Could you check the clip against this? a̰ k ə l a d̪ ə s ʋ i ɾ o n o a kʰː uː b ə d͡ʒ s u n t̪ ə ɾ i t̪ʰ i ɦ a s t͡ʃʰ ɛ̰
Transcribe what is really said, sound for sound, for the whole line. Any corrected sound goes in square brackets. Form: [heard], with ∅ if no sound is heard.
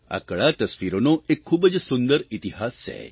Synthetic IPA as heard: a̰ k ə [ɭ] a [t̪] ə s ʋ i ɾ o n o [e] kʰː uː b ə d͡ʒ s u n [d̪] ə ɾ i [t̪] i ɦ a s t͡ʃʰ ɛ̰